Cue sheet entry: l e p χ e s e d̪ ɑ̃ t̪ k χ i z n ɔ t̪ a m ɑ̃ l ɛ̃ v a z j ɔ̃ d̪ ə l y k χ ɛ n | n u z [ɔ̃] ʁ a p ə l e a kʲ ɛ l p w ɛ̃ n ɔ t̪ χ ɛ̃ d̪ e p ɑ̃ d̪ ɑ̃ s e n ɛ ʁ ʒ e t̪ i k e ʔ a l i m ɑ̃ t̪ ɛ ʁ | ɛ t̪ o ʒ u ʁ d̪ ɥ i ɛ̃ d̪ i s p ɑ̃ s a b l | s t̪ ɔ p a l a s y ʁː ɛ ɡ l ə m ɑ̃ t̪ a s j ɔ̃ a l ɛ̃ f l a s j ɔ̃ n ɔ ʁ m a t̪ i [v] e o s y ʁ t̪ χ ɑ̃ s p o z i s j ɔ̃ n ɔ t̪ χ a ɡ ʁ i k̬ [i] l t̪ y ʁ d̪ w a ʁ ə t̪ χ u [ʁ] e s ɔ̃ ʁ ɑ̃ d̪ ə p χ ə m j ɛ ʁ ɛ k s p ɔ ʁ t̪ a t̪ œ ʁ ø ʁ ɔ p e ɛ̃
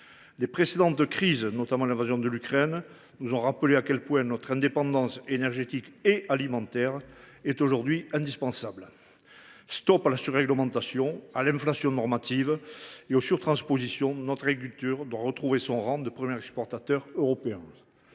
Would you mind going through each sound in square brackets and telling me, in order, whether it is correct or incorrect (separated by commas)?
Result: correct, correct, incorrect, incorrect